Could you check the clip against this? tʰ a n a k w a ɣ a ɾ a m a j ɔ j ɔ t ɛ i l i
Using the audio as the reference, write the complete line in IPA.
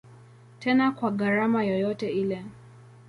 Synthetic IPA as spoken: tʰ ɛ n a k w a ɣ a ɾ a m a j ɔ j ɔ t ɛ i l ɛ